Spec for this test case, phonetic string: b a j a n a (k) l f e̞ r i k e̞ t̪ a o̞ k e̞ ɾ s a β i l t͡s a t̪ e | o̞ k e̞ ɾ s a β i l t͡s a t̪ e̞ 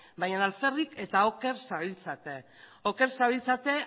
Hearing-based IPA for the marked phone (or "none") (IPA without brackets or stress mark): none